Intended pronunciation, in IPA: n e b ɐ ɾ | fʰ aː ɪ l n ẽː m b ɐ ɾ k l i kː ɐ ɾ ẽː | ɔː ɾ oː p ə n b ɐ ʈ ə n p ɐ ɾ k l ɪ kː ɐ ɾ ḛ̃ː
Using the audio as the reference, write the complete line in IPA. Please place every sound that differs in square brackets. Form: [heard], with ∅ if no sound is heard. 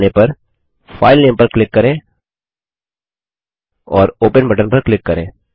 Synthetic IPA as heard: n e [p] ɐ ɾ | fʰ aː ɪ l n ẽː m [p] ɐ ɾ k l [ɪ] kː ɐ ɾ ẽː | ɔː ɾ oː p ə n b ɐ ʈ ə n p ɐ ɾ k l ɪ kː ɐ ɾ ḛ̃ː